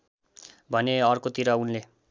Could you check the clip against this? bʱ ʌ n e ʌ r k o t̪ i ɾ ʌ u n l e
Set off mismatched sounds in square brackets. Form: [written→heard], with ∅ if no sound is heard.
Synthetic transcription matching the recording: bʱ ʌ n e ʌ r k o t̪ i ɾ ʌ u n l e